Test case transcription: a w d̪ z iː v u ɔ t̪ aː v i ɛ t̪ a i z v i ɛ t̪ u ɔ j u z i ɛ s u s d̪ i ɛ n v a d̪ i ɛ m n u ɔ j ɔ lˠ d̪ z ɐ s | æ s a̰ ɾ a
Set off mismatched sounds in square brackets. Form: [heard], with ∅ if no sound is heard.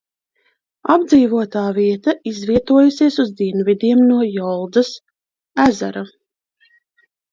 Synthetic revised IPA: a [b] d̪ z iː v u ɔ t̪ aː v i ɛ t̪ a i z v i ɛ t̪ u ɔ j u [s] i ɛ s u [z] d̪ i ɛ n v [i] d̪ i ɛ m n u ɔ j ɔ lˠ d̪ z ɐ s | æ [z] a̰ ɾ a